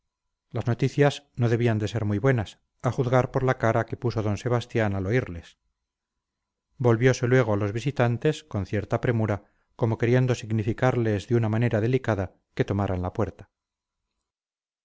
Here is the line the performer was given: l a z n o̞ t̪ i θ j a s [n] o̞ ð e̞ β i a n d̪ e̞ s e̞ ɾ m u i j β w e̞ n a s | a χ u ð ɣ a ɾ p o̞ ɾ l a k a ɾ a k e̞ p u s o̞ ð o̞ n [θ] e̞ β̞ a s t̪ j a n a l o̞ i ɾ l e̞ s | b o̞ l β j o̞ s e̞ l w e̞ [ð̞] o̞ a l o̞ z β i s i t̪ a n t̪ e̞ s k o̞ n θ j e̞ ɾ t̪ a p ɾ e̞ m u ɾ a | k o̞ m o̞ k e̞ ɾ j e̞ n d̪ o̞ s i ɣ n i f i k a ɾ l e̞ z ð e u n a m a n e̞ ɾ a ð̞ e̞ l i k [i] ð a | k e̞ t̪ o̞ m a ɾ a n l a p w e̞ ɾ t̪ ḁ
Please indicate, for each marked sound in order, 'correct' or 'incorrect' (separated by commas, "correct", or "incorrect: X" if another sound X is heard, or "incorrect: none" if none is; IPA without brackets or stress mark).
correct, incorrect: s, incorrect: ɣ̞, incorrect: a